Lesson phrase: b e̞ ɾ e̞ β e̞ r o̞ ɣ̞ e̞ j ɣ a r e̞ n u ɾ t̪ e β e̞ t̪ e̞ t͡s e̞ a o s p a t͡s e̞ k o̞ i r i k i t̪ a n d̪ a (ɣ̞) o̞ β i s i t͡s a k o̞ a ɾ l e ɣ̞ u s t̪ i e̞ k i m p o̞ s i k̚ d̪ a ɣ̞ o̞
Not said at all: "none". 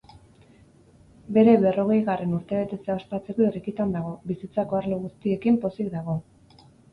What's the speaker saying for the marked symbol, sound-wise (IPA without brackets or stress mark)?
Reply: ɣ̞